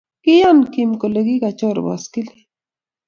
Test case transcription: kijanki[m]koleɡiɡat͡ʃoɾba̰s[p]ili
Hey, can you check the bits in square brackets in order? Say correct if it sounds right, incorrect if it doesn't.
correct, incorrect: k

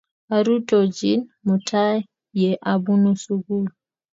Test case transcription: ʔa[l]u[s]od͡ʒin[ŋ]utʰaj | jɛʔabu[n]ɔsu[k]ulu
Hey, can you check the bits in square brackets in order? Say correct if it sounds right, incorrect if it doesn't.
incorrect: ɾ, incorrect: t, incorrect: m, correct, incorrect: ɡ

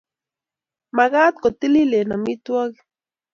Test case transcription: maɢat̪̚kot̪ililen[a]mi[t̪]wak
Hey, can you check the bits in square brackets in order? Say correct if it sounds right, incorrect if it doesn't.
correct, correct

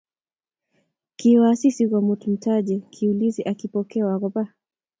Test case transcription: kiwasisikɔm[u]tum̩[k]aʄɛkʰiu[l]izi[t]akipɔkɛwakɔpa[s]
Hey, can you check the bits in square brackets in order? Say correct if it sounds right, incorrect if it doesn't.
correct, incorrect: t, correct, incorrect: ʔ, incorrect: none

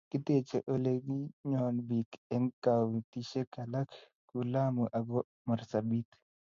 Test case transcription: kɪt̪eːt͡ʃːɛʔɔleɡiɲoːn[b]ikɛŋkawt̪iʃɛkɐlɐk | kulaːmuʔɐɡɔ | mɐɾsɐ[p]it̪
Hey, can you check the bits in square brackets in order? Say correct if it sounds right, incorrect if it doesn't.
correct, incorrect: b

